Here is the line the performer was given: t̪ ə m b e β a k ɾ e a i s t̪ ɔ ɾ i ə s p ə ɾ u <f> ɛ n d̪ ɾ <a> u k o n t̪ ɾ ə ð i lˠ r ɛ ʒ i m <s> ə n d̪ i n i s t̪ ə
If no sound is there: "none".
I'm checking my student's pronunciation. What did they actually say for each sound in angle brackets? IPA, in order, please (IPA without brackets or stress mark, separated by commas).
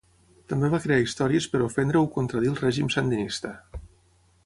f, ə, s